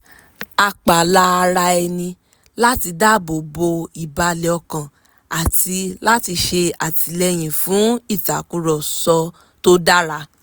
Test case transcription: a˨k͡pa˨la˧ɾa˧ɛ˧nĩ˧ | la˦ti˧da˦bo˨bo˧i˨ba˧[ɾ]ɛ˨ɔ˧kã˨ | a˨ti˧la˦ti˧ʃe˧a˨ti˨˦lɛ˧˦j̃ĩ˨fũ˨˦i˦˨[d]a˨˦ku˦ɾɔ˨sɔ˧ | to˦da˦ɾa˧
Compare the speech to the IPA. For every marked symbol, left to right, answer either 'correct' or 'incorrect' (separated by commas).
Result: incorrect, incorrect